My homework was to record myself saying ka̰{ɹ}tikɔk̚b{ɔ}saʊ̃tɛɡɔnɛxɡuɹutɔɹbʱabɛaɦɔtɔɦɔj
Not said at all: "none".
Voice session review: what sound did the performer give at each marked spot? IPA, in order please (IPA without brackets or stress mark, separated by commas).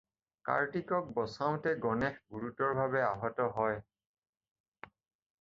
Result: ɹ, ɔ